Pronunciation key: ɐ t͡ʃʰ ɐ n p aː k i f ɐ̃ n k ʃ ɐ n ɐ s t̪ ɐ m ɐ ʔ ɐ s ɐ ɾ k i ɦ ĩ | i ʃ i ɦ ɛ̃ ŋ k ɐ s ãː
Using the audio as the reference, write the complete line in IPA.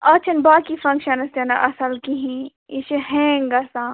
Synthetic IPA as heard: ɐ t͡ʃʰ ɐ n b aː k i f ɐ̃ ŋ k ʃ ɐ n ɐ s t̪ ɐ n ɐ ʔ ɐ s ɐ l k i ɦ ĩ | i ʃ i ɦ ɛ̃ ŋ ɡ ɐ s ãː